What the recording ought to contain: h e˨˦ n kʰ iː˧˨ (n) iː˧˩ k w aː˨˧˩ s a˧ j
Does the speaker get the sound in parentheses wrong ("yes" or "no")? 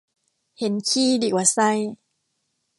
yes